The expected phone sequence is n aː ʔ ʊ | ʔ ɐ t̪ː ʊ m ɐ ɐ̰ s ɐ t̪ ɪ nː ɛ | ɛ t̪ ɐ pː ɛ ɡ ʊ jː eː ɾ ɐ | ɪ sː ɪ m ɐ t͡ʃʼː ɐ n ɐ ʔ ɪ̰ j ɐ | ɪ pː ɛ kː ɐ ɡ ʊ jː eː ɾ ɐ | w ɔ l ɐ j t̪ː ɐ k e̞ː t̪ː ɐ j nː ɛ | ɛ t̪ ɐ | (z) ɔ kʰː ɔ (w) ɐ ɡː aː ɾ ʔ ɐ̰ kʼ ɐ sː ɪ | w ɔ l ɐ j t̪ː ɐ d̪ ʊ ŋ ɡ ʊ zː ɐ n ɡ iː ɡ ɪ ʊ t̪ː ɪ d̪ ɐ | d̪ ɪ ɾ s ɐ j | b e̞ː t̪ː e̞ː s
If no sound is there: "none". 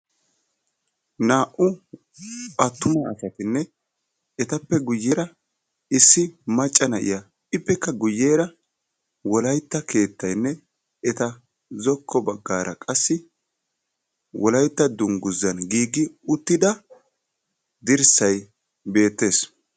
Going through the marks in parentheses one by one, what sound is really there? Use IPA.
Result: z, b

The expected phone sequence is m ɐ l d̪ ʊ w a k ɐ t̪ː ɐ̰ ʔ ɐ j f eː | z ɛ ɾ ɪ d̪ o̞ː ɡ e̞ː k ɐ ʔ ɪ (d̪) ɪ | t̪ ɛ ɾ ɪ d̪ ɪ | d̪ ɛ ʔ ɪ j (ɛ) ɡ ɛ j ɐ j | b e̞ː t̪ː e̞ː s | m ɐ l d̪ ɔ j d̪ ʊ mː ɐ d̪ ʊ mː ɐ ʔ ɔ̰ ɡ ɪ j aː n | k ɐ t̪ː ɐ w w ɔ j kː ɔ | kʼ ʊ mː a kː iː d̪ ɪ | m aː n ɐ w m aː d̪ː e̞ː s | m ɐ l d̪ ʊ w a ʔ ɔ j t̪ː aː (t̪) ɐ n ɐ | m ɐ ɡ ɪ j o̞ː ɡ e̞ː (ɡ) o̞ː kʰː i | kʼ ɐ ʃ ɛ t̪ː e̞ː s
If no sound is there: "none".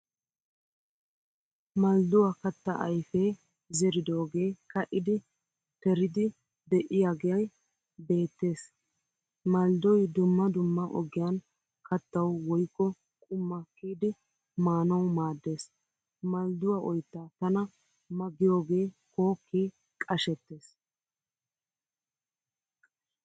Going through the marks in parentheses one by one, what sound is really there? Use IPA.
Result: d̪, a, t̪, k

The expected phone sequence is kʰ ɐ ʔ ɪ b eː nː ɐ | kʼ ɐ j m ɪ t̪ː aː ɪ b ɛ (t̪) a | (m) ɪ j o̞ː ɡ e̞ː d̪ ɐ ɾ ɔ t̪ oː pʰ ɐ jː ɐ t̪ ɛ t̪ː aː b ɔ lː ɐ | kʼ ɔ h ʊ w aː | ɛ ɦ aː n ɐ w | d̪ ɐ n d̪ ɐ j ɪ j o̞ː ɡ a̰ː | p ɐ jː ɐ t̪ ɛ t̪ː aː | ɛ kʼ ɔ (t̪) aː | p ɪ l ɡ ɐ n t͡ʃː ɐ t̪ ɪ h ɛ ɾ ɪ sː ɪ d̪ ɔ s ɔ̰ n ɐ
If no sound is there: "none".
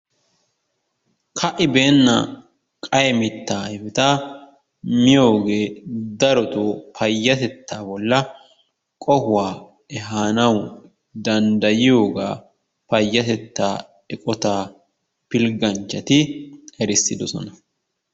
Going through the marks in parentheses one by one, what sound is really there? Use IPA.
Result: t̪, m, t̪

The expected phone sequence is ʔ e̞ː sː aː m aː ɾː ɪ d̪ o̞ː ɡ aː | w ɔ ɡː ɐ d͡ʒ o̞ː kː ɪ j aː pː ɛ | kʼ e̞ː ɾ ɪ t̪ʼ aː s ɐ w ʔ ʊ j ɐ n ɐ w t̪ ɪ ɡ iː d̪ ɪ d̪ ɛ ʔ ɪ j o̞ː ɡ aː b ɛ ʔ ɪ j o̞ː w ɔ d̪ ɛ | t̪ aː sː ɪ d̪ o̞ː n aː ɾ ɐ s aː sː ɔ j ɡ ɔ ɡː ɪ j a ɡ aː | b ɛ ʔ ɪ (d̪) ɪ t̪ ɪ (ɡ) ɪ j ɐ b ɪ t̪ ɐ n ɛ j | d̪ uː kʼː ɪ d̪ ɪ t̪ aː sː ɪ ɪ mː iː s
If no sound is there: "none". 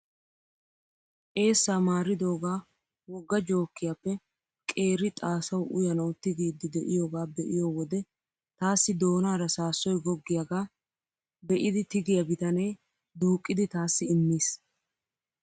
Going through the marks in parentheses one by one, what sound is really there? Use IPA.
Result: d̪, ɡ

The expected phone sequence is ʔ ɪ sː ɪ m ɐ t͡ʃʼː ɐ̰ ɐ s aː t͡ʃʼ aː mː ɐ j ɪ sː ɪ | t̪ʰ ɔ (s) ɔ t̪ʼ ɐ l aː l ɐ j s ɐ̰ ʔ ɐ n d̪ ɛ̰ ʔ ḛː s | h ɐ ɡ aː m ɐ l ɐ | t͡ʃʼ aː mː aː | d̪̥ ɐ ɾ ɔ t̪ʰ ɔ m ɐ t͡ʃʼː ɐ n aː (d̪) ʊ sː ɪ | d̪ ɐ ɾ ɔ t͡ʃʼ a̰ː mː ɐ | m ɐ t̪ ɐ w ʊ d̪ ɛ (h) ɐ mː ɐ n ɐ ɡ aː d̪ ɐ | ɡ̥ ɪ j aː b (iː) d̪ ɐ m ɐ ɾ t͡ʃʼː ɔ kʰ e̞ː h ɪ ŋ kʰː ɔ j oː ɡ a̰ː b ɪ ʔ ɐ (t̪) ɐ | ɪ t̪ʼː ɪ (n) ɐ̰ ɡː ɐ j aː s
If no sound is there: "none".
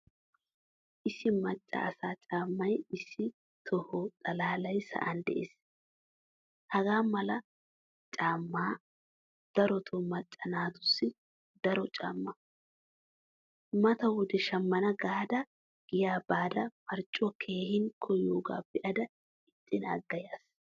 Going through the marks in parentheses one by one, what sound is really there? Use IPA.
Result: h, t̪, ʃ, aː, d̪, n

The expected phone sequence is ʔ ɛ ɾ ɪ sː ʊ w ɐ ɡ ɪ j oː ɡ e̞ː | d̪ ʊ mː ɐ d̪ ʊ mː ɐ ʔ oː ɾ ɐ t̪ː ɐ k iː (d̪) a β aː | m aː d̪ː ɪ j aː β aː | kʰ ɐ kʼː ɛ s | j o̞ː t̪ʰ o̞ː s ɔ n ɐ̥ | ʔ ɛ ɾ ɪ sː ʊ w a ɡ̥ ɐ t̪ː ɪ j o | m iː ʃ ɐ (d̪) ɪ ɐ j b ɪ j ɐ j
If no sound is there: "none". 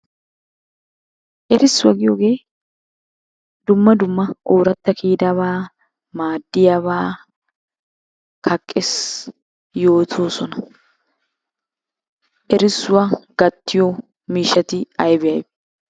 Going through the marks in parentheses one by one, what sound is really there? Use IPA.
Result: d̪, t̪

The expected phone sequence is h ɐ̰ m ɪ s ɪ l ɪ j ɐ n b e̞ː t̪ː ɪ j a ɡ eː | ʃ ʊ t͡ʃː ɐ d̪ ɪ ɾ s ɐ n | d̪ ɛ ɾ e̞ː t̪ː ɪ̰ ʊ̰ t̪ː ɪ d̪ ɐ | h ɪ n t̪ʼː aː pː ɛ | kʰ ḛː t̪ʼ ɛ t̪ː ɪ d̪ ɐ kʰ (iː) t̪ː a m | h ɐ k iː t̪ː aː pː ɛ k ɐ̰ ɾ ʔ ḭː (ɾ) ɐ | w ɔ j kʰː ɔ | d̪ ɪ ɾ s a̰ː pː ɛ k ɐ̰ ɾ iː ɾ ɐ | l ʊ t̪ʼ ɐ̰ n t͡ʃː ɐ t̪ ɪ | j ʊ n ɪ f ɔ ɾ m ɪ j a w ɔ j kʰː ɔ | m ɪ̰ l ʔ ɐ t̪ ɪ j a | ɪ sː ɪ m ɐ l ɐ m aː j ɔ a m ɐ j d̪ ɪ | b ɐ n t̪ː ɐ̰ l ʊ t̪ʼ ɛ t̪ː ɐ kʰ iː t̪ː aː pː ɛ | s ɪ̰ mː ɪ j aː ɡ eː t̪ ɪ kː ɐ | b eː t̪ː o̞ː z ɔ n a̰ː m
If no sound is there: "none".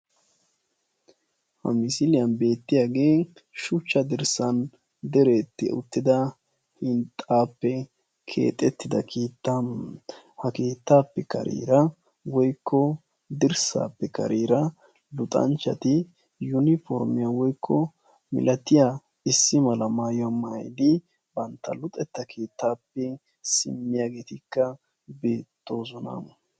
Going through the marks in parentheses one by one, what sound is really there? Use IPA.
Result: iː, ɾ

